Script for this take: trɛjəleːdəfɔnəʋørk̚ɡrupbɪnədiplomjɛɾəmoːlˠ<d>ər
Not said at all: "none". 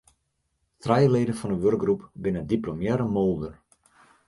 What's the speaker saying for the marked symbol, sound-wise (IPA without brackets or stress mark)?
d